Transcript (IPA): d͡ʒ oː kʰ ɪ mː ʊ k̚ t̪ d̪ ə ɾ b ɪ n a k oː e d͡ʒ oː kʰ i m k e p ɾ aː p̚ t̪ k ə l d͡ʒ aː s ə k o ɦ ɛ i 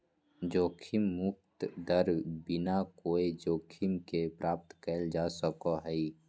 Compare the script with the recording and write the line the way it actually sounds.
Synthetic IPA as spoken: d͡ʒ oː kʰ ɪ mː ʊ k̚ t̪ d̪ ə ɾ b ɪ n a k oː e d͡ʒ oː kʰ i m k e p ɾ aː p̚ t̪ k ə l d͡ʒ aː s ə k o ɦ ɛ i

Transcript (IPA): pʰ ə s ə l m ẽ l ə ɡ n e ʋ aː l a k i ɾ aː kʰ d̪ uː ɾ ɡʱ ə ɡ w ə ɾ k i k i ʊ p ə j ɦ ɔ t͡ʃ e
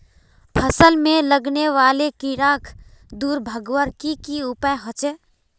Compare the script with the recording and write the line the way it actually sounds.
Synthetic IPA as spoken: pʰ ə s ə l m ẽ l ə ɡ n e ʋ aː l e k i ɾ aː kʰ d̪ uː ɾ bʱ ə ɡ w ə ɾ k i k i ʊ p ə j ɦ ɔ t͡ʃ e

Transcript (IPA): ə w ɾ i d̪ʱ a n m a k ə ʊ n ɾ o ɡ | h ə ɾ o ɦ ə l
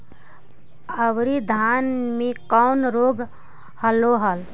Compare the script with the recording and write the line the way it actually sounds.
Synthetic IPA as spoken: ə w ɾ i d̪ʱ a n m e k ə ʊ n ɾ o ɡ | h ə l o ɦ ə l

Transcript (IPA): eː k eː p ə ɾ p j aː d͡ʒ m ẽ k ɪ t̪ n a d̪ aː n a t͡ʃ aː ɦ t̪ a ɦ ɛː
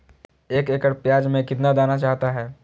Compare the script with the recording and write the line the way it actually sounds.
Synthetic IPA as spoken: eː k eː k ə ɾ p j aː d͡ʒ m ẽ k ɪ t̪ n a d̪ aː n a t͡ʃ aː ɦ t̪ a ɦ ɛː

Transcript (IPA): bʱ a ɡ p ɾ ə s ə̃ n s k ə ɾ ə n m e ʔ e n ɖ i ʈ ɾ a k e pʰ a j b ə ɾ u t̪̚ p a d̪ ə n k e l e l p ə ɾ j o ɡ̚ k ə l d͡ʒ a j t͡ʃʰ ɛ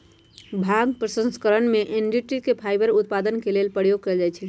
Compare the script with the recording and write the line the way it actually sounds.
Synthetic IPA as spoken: bʱ a ɡ p ɾ ə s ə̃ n s k ə ɾ ə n m e ʔ e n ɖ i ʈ ɾ i k e pʰ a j b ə ɾ u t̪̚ p a d̪ ə n k e l e l p ə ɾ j o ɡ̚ k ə l d͡ʒ a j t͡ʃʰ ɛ

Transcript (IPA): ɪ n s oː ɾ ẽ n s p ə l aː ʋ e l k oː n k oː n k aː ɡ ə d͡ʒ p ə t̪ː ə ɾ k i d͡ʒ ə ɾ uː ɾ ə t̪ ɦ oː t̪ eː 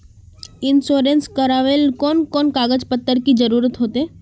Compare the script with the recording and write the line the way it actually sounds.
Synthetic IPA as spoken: ɪ n s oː ɾ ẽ n s k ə ɾ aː ʋ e l k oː n k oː n k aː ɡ ə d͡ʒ p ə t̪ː ə ɾ k i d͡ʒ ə ɾ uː ɾ ə t̪ ɦ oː t̪ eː

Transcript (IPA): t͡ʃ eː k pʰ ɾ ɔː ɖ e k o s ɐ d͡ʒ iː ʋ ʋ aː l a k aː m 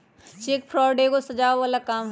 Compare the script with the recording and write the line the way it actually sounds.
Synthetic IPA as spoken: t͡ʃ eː k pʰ ɾ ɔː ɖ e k o s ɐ d͡ʒ aː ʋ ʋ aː l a k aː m

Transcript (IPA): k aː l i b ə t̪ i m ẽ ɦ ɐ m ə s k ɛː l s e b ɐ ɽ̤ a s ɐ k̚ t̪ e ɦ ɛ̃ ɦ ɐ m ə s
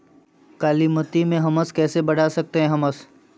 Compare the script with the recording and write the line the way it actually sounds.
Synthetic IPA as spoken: k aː l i m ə t̪ i m ẽ ɦ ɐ m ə s k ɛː s e b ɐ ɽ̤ a s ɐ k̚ t̪ e ɦ ɛ̃ ɦ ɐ m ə s

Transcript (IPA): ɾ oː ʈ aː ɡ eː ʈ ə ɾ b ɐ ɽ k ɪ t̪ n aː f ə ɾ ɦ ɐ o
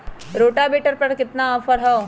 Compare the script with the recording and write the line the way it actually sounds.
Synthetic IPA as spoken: ɾ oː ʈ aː b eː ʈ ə ɾ p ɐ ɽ k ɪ t̪ n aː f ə ɾ ɦ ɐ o

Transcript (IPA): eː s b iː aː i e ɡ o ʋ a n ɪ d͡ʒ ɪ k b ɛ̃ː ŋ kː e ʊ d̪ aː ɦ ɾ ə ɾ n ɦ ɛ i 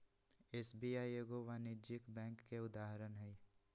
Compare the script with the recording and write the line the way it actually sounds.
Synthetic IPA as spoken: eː s b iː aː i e ɡ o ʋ a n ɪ d͡ʒ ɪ k b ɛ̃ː ŋ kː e ʊ d̪ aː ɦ ɾ ə n ɦ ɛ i

